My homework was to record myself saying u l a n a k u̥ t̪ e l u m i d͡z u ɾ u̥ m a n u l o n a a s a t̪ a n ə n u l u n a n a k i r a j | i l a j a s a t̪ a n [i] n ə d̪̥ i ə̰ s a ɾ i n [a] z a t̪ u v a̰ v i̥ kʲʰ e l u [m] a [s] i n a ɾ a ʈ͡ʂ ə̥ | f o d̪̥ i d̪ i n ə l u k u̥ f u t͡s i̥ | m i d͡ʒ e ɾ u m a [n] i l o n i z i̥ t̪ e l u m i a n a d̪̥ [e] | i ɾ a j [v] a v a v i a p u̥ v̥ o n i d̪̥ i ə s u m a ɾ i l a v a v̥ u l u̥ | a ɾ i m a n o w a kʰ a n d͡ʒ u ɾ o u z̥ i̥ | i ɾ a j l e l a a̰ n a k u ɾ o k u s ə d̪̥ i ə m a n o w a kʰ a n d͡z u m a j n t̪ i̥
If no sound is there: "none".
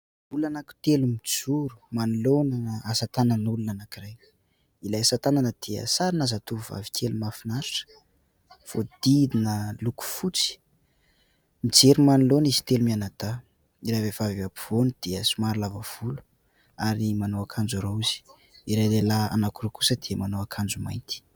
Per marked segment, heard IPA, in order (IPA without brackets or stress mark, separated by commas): a, a, m, f, n, a, v